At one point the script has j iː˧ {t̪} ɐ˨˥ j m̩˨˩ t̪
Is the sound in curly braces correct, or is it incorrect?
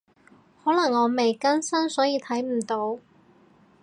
incorrect